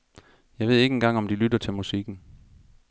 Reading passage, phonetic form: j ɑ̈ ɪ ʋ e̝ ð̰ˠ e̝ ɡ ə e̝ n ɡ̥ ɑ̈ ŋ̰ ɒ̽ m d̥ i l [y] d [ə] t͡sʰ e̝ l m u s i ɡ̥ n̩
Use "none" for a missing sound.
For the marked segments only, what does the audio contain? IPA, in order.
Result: y, ɐ

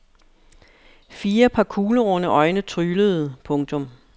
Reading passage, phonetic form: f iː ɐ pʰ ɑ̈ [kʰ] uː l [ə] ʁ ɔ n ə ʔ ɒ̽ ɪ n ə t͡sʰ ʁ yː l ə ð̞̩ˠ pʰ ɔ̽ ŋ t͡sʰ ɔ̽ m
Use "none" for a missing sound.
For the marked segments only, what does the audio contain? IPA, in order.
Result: kʰ, ə

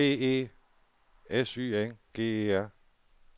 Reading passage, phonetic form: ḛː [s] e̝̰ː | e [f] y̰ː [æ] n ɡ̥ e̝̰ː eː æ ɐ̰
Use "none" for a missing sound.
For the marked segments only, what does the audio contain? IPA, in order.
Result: none, s, e

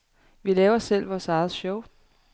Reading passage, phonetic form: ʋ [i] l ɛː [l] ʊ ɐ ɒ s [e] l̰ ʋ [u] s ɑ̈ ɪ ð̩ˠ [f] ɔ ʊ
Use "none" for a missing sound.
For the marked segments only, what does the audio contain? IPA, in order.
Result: i, none, e, ɒ, ɕ

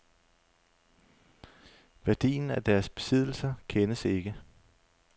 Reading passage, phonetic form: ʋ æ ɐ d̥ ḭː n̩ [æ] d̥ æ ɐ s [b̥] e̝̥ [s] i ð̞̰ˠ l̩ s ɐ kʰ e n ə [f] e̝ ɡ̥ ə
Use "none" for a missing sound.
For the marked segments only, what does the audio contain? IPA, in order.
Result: æ, b̥, s, s

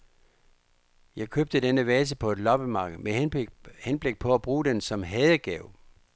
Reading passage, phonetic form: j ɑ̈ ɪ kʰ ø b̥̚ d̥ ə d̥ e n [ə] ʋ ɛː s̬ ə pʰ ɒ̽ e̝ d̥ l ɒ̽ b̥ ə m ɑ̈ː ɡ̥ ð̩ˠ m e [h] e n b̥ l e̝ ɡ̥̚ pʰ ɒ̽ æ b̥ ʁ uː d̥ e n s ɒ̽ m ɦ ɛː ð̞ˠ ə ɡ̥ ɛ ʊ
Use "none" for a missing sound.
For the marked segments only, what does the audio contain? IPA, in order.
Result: ə, h

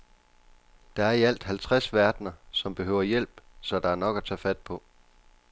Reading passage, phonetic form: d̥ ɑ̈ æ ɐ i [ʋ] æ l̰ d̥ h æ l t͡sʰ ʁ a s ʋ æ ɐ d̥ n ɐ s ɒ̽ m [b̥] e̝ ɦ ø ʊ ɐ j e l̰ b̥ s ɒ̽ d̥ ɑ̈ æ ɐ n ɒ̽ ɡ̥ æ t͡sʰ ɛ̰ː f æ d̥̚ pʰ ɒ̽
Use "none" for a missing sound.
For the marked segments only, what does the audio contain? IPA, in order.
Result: none, b̥

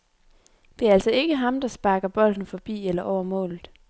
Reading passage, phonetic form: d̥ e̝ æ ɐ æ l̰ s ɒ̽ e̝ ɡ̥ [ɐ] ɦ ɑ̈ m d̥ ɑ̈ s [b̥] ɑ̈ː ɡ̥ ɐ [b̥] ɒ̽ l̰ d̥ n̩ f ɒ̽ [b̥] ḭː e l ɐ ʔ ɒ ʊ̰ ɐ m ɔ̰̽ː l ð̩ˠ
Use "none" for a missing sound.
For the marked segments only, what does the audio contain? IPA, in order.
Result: ə, b̥, b̥, b̥

